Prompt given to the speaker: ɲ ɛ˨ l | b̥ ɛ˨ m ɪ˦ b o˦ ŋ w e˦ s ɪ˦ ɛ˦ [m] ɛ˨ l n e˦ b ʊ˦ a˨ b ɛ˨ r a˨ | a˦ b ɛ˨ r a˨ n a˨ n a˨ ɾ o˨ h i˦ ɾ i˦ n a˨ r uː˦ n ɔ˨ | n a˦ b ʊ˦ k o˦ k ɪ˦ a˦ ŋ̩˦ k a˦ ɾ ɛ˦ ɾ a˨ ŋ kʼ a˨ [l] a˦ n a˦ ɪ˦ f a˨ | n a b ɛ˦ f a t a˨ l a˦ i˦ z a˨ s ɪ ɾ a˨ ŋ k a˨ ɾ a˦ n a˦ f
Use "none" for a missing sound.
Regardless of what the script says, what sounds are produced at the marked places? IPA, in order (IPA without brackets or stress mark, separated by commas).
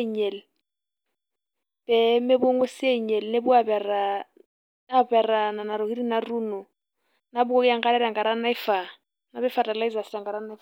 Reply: ɲ, ɾ